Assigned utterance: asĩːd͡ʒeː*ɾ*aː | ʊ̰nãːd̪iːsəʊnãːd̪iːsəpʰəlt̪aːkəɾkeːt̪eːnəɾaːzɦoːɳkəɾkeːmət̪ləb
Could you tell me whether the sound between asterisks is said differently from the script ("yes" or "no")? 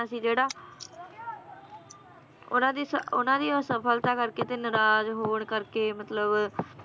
yes